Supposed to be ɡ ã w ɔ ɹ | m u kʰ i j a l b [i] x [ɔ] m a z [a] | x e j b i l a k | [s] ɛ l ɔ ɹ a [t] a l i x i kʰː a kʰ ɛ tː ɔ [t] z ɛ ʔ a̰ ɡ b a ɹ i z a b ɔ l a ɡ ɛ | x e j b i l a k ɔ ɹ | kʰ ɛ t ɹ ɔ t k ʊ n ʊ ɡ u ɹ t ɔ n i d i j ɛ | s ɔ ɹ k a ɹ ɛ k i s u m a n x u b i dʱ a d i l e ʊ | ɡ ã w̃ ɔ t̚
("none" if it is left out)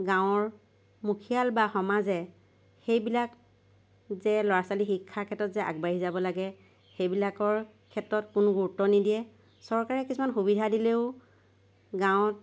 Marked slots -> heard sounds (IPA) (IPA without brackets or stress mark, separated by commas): a, ɔ, ɛ, z, s, t